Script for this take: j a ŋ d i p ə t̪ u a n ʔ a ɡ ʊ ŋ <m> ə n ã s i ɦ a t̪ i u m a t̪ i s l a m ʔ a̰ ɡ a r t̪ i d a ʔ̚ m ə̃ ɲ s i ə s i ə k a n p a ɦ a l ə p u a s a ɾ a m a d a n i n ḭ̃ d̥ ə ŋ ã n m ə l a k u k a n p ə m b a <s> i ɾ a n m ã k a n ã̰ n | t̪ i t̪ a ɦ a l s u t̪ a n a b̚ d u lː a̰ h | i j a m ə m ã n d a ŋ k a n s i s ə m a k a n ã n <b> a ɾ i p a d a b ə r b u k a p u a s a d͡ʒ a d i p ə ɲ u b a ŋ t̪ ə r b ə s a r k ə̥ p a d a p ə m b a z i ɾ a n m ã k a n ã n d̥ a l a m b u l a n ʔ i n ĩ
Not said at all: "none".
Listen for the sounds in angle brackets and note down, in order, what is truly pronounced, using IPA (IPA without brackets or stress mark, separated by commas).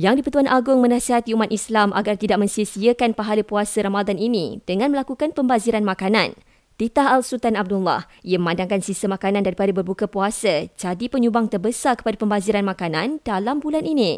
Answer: m, z, d